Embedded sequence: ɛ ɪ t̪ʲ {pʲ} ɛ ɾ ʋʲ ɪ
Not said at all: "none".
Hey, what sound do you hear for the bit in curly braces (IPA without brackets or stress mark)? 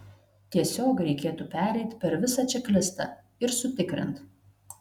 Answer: pʲ